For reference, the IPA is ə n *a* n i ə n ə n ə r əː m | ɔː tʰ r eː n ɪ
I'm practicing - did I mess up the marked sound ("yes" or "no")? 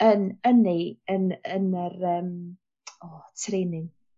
yes